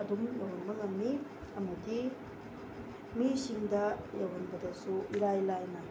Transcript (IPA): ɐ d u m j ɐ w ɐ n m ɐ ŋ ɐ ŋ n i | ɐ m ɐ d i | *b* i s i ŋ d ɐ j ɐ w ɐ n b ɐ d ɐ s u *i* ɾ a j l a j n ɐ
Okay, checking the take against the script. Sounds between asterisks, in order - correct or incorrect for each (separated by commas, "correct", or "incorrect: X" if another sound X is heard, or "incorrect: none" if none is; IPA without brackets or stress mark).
incorrect: m, correct